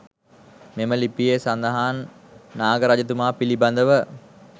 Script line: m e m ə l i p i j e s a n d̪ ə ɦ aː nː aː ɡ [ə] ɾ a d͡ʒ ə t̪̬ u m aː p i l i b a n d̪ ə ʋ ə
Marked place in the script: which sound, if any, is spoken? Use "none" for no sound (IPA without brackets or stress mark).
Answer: ə